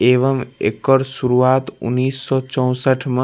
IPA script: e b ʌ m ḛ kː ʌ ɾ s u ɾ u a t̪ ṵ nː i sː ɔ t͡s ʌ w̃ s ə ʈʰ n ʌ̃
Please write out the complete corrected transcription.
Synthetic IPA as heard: e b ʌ m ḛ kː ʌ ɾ s u ɾ u a t̪ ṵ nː i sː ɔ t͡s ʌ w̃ s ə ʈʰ m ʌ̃